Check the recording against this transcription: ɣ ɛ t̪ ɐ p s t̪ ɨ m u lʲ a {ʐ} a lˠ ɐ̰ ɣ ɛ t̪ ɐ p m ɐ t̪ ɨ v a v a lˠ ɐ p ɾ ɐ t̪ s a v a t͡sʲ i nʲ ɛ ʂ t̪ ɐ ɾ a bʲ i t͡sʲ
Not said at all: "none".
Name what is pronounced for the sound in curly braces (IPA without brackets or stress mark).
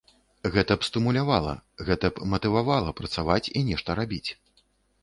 v